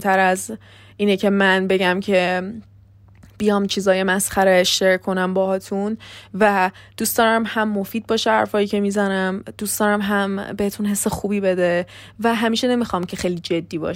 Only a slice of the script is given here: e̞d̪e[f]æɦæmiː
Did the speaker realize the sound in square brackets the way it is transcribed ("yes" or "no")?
no